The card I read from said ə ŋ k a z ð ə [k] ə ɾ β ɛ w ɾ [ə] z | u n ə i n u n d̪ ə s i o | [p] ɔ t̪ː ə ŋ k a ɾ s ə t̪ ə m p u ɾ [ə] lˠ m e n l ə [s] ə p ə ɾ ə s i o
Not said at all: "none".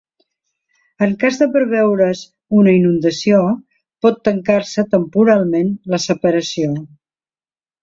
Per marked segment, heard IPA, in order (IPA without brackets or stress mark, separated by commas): p, ə, p, a, s